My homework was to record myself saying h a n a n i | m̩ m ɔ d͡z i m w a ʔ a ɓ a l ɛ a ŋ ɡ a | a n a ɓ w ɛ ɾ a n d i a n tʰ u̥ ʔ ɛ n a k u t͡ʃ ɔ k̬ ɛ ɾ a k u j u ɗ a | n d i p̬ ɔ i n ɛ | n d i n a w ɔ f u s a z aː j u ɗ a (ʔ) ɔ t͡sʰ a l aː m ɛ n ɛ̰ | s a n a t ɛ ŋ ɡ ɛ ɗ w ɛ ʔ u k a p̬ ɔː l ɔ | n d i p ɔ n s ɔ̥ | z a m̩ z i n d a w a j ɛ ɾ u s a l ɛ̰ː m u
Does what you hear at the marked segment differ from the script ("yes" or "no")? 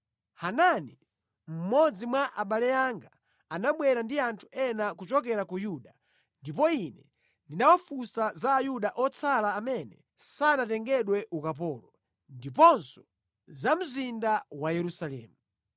no